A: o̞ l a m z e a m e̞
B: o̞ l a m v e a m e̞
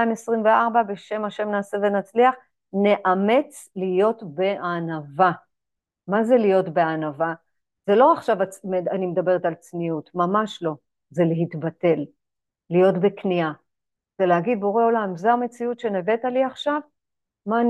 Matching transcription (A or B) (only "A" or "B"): A